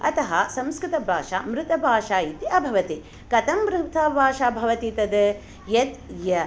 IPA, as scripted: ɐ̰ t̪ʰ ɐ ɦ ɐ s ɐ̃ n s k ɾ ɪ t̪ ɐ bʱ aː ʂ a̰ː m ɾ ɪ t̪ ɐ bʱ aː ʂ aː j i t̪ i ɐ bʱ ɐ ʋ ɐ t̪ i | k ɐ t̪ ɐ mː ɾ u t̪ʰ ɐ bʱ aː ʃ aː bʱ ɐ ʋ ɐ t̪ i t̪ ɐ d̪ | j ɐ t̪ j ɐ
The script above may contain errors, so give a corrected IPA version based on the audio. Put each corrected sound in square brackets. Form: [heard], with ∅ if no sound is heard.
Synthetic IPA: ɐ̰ [t̪] ɐ ɦ ɐ s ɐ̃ [m] s k ɾ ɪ t̪ ɐ bʱ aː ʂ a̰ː m ɾ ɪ t̪ ɐ bʱ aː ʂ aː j i t̪ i ɐ bʱ ɐ ʋ ɐ t̪ i | k ɐ t̪ ɐ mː ɾ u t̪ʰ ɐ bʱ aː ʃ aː bʱ ɐ ʋ ɐ t̪ i t̪ ɐ d̪ | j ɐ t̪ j ɐ